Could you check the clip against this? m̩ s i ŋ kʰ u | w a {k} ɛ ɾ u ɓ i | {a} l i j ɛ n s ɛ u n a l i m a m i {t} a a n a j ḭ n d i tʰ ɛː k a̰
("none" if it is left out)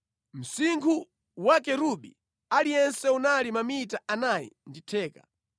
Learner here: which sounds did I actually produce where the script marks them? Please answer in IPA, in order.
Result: k, a, t

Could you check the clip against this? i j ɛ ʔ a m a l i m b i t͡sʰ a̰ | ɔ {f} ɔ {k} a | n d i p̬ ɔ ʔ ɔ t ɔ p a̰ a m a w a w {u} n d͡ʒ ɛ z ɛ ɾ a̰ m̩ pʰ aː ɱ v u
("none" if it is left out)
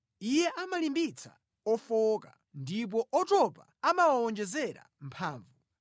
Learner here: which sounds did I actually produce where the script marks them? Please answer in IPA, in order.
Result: f, k, ɔ

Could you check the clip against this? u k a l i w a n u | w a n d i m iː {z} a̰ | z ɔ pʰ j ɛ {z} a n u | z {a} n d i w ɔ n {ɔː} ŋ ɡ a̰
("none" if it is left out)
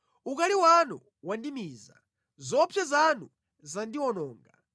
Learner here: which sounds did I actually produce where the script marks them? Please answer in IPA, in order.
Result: z, z, a, ɔː

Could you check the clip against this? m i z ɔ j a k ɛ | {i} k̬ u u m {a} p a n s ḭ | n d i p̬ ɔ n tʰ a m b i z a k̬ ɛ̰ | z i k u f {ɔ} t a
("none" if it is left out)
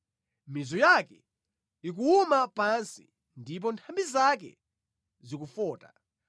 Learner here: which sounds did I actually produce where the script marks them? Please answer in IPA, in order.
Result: i, a, ɔː

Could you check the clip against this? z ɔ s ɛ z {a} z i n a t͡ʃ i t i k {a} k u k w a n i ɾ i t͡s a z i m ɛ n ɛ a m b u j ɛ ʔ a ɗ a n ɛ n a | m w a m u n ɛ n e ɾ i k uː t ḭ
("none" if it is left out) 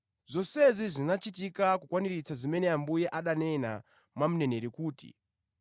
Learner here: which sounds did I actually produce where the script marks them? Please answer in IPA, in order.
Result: i, a

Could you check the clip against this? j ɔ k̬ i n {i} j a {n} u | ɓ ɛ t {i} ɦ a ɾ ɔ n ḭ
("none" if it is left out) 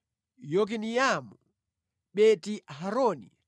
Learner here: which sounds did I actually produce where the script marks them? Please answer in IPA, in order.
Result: i, m, i

